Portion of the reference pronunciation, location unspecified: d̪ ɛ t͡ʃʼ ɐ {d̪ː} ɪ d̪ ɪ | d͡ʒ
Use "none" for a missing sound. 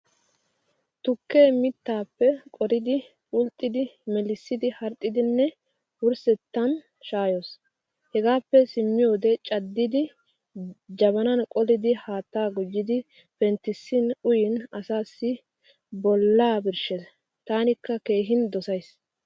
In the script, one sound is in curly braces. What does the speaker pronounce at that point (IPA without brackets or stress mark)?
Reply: d̪ː